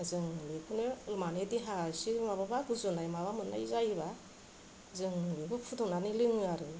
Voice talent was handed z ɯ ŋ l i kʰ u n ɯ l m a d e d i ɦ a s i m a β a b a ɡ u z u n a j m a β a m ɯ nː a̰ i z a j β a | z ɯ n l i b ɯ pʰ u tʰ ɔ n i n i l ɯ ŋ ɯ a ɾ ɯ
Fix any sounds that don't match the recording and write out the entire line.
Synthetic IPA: z ɯ ŋ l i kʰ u n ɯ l m a n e d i ɦ a s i m a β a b a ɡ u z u n a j m a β a m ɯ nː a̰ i z a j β a | z ɯ ŋ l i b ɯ pʰ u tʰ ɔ n a n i l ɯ ŋ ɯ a ɾ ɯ